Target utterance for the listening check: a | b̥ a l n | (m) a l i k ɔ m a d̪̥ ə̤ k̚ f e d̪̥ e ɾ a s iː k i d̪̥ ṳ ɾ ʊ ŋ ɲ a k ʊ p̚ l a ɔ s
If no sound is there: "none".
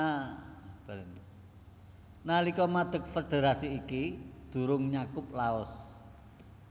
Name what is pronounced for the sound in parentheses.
n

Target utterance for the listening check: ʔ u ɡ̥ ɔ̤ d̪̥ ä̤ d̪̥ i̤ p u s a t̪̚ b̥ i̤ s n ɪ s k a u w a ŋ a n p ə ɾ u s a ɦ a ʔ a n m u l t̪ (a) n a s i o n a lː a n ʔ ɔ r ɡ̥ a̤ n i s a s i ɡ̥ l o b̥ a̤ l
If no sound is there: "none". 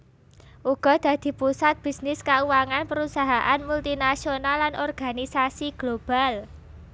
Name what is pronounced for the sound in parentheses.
i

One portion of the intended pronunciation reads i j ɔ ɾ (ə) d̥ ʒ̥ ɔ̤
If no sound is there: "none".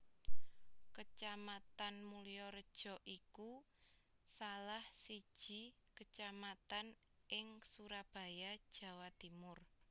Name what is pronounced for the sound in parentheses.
ə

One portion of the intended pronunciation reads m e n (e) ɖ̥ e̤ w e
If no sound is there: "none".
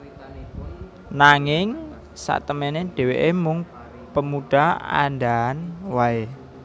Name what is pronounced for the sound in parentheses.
e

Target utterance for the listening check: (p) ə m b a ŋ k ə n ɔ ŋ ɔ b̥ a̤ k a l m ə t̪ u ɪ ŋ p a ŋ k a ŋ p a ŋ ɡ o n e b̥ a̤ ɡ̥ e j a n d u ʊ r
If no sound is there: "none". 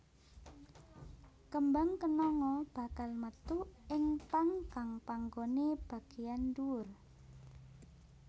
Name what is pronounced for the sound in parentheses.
k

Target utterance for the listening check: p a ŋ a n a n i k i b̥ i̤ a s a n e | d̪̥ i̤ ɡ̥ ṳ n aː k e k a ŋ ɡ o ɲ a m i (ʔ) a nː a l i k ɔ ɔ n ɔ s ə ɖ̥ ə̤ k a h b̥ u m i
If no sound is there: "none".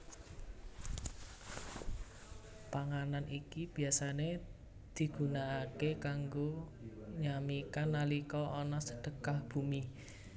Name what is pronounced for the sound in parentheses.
k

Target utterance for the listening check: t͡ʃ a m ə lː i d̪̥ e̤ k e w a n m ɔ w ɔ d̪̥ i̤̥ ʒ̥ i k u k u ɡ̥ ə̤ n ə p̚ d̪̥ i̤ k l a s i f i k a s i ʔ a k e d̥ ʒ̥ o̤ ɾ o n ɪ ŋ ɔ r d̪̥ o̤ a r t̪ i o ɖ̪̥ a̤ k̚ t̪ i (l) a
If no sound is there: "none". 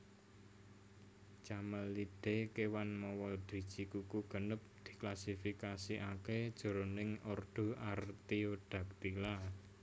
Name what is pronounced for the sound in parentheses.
l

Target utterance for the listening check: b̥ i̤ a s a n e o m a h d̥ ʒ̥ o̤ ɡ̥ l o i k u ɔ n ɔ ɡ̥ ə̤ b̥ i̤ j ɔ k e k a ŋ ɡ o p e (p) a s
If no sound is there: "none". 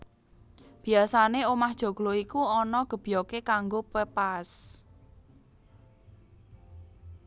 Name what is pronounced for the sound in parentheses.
p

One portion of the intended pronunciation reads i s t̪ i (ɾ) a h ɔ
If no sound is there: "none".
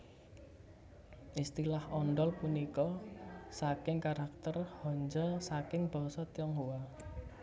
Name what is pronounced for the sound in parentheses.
l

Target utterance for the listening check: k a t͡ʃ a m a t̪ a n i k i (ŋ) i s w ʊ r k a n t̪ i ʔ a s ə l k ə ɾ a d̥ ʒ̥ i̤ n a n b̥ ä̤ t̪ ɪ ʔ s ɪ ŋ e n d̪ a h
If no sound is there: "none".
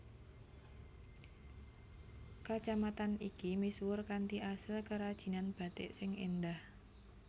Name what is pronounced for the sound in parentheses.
m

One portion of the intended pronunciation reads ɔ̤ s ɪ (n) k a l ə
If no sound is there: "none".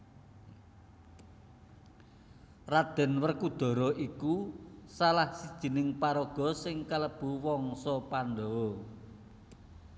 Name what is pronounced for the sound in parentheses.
ŋ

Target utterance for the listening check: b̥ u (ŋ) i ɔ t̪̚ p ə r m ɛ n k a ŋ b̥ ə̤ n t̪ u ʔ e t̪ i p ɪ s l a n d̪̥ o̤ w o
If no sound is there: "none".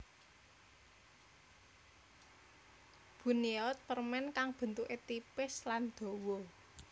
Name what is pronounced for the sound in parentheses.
n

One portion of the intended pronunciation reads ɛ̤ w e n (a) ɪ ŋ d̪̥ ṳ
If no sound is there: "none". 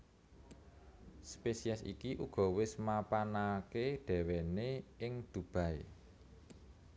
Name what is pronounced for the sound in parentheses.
e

